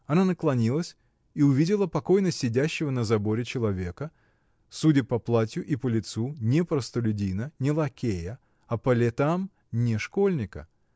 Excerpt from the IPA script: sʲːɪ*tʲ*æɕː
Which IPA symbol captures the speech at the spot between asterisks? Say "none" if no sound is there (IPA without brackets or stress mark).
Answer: dʲ